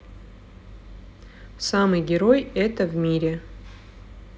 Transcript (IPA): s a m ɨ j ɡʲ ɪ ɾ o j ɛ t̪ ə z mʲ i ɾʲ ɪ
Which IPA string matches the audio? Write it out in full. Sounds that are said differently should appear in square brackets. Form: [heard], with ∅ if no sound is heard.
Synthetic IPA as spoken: s a m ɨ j ɡʲ ɪ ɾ o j ɛ t̪ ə [v] mʲ i ɾʲ ɪ